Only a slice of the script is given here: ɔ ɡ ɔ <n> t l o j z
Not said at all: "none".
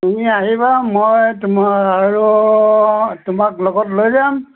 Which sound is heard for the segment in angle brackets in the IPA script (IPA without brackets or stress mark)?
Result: none